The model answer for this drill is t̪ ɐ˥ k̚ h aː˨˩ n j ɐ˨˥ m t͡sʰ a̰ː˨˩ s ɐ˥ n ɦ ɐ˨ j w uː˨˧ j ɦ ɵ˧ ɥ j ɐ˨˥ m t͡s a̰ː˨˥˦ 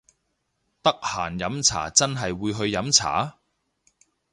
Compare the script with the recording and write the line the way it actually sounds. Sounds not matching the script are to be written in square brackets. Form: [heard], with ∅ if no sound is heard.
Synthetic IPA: t̪ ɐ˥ k̚ h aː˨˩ n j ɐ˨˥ m t͡sʰ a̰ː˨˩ [t͡s] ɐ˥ n ɦ ɐ˨ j w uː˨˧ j ɦ ɵ˧ ɥ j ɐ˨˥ m [t͡sʰ] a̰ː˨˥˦